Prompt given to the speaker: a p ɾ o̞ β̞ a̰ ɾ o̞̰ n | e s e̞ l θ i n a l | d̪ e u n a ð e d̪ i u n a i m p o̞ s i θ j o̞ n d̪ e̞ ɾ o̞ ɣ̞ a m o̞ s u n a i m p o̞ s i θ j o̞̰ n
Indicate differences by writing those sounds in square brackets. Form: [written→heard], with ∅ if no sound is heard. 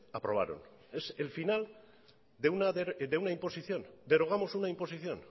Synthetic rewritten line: a p ɾ o̞ β̞ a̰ ɾ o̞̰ n | e s e̞ l [θ→f] i n a l | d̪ e u n a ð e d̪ [i→e] u n a i m p o̞ s i θ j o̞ n d̪ e̞ ɾ o̞ ɣ̞ a m o̞ s u n a i m p o̞ s i θ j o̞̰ n